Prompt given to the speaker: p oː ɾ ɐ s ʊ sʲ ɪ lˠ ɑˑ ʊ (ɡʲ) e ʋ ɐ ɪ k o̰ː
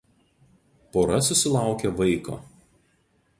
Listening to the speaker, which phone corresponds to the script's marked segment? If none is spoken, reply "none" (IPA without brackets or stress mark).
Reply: kʲ